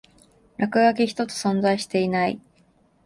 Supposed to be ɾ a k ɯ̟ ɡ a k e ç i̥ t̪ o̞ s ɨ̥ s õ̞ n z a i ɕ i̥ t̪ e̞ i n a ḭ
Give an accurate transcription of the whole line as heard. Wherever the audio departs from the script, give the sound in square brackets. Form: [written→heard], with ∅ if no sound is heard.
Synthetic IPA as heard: ɾ a k ɯ̟ ɡ a k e ç i̥ t̪ o̞ [s→t͡s] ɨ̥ s õ̞ n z a i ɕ i̥ t̪ e̞ i n a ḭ